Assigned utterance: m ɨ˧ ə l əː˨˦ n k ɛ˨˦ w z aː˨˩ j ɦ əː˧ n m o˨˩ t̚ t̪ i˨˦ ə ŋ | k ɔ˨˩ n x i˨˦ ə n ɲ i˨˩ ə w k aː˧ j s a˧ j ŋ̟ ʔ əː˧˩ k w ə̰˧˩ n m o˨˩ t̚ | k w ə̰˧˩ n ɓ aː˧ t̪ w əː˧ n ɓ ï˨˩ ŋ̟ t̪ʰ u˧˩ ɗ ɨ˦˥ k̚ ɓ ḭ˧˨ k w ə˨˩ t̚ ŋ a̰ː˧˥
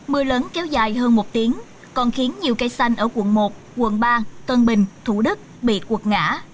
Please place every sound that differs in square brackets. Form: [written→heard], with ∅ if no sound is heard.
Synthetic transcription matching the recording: m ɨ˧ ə l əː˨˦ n k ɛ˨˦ w z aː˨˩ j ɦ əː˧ n m o˨˩ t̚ t̪ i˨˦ ə ŋ | k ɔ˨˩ n x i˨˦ ə n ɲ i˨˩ ə w k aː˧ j s a˧ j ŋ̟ ʔ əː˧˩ k w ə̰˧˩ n m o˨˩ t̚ | k w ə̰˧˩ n ɓ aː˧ t̪ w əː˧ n ɓ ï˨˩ ŋ̟ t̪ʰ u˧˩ ɗ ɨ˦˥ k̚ ɓ ḭ˧˨ k w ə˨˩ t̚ ŋ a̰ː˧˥